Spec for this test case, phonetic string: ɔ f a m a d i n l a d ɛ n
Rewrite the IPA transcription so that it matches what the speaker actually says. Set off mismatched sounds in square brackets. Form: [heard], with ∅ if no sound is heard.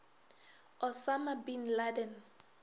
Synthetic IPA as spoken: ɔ [s] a m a [b] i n l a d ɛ n